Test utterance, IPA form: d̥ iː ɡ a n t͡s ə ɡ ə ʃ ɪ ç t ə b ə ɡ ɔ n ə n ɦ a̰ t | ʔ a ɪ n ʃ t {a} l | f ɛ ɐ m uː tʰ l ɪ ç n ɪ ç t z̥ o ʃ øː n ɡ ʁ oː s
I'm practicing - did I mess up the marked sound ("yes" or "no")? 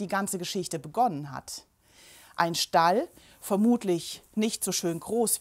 no